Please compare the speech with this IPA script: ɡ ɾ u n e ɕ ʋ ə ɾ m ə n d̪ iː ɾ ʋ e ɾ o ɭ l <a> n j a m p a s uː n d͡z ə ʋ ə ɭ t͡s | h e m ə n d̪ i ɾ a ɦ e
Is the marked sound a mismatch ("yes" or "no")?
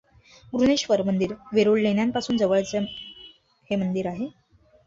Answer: yes